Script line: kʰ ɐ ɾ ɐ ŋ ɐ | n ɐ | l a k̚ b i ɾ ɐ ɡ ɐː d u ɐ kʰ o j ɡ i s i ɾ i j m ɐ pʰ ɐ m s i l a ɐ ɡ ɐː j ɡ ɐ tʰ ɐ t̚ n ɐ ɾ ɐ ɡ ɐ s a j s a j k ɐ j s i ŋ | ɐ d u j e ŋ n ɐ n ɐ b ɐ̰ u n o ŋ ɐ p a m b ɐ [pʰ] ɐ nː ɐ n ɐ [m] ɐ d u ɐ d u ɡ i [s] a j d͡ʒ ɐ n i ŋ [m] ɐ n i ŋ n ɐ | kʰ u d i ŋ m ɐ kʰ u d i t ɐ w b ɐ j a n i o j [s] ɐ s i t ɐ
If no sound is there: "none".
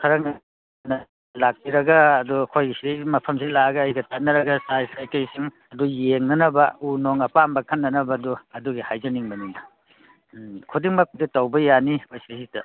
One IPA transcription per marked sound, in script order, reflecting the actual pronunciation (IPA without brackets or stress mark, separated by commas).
kʰ, b, h, b, s